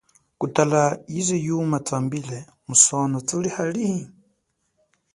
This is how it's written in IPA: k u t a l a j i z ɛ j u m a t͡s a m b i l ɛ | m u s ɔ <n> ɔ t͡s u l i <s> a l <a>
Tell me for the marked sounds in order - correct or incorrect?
correct, incorrect, incorrect

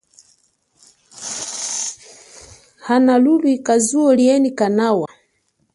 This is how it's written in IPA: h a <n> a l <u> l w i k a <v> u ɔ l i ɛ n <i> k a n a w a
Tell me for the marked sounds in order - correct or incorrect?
correct, correct, incorrect, correct

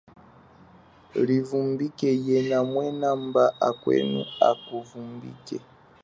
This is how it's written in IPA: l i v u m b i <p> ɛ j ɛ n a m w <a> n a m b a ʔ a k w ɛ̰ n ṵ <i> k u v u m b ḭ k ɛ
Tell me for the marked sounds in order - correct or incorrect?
incorrect, incorrect, incorrect

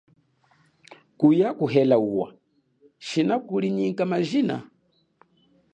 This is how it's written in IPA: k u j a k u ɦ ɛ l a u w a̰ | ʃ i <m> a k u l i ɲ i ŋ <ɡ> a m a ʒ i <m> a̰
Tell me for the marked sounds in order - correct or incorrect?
incorrect, incorrect, incorrect

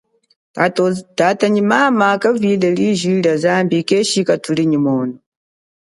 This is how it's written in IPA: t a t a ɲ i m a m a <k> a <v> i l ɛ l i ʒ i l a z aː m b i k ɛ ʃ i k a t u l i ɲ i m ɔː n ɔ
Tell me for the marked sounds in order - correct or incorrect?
correct, correct

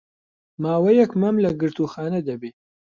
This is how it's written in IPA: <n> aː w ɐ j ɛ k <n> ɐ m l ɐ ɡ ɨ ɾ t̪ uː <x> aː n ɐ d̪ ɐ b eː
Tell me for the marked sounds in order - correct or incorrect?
incorrect, incorrect, correct

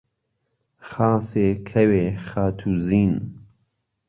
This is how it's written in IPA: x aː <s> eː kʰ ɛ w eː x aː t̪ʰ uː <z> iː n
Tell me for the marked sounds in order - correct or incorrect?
correct, correct

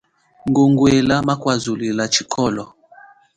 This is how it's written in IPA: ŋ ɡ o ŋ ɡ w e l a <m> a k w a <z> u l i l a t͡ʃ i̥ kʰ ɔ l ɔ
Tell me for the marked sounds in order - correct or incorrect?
correct, correct

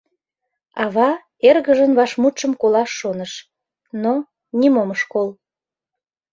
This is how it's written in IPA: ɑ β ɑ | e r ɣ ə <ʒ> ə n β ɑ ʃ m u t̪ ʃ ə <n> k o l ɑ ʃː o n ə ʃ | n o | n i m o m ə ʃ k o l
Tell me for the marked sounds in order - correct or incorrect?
correct, incorrect

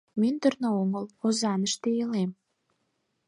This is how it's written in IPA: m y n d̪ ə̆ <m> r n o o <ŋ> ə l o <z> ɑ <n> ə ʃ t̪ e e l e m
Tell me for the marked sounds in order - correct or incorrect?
incorrect, correct, correct, correct

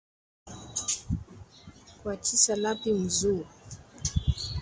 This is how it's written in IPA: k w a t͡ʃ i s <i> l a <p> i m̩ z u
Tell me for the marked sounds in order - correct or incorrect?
incorrect, correct

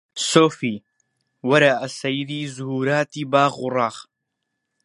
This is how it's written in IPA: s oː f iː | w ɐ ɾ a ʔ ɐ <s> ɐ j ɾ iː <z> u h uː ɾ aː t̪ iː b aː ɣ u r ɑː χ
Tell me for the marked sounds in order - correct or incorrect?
correct, correct

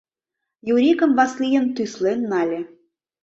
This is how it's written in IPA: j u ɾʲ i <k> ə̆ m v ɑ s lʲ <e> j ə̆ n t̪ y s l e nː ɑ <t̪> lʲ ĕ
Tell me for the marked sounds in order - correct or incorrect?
correct, incorrect, incorrect

